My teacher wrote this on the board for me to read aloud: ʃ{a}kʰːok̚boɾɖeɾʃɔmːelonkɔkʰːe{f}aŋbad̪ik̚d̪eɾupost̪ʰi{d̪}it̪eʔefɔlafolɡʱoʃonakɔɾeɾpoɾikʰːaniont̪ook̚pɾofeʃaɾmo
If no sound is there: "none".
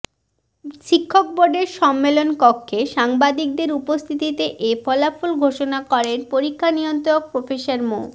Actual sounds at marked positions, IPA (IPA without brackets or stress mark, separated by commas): i, ʃ, t̪